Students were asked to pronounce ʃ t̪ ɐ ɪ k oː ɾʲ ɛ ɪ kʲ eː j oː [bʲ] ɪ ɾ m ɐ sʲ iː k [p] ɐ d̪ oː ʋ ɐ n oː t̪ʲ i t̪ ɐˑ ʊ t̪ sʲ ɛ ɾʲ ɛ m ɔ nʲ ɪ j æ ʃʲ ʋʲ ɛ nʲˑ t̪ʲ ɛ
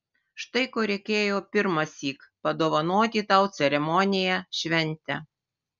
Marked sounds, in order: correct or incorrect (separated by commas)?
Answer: incorrect, correct